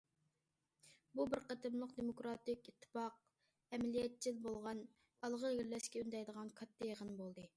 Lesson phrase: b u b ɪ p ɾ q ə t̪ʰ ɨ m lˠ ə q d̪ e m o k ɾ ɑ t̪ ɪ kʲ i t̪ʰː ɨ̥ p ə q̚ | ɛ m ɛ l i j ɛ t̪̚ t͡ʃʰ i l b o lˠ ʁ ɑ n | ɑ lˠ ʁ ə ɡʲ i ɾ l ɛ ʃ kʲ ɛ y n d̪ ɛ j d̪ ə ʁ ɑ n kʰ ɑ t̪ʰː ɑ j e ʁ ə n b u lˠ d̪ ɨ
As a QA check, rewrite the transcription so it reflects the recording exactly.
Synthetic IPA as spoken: b u b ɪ ɾ q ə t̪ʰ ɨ m lˠ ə q d̪ e m o k ɾ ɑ t̪ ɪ kʲ i t̪ʰː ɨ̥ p ɑ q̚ | ɛ m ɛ l i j ɛ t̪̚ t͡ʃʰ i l b o lˠ ʁ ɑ n | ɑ lˠ ʁ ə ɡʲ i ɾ l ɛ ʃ kʲ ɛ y n d̪ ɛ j d̪ ə ʁ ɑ n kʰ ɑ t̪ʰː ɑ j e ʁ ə n b o lˠ d̪ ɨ